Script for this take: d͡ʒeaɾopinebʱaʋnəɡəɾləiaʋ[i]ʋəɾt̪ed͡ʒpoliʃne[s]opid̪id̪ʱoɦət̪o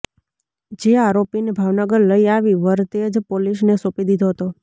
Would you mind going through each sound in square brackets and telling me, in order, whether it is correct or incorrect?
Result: correct, correct

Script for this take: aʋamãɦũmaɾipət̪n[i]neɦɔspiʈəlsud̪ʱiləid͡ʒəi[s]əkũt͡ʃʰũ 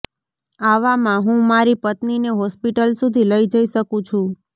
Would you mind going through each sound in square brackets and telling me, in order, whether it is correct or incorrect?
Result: correct, incorrect: ʃ

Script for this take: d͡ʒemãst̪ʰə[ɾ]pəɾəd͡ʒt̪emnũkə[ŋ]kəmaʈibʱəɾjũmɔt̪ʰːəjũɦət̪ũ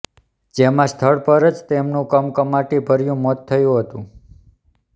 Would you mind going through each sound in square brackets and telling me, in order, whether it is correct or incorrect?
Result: incorrect: ɭ, incorrect: m

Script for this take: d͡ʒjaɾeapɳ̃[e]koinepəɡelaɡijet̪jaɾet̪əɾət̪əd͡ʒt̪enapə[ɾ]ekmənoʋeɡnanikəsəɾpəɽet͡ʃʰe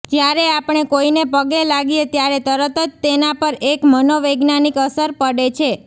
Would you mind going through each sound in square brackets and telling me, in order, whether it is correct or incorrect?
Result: correct, correct

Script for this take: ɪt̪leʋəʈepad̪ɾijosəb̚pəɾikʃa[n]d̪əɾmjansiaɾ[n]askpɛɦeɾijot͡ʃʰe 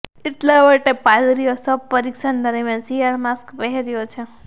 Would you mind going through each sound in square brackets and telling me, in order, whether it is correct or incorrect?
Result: correct, incorrect: m

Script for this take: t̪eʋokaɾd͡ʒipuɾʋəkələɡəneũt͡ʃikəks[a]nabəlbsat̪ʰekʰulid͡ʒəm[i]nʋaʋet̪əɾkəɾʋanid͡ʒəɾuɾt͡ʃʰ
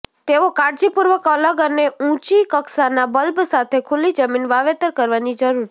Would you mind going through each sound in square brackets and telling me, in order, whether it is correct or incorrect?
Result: correct, correct

